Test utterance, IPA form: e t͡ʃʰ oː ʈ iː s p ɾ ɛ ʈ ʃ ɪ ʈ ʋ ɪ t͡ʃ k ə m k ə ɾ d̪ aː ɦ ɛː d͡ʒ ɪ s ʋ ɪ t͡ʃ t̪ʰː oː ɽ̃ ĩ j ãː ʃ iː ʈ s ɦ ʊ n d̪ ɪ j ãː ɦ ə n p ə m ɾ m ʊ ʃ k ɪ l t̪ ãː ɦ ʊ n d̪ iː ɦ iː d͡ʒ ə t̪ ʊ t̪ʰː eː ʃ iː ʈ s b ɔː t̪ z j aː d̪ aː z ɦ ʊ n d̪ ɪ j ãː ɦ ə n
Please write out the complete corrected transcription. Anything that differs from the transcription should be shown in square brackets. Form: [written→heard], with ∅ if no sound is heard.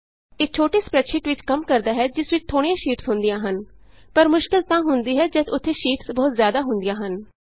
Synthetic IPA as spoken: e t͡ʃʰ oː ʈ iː s p ɾ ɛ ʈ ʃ ɪ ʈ ʋ ɪ t͡ʃ k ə m k ə ɾ d̪ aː ɦ ɛː d͡ʒ ɪ s ʋ ɪ t͡ʃ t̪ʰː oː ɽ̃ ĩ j ãː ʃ iː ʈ s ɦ ʊ n d̪ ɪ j ãː ɦ ə n p ə [m→∅] ɾ m ʊ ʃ k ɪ l t̪ ãː ɦ ʊ n d̪ iː ɦ [iː→ɛː] d͡ʒ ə t̪ ʊ t̪ʰː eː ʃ iː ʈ s b ɔː t̪ z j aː d̪ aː [z→∅] ɦ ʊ n d̪ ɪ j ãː ɦ ə n